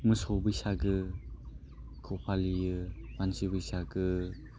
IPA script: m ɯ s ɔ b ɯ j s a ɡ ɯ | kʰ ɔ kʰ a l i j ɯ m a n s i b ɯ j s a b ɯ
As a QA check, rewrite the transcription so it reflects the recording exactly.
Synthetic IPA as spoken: m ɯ s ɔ b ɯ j s a ɡ ɯ | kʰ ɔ pʰ a l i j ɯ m a n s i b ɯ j s a ɡ ɯ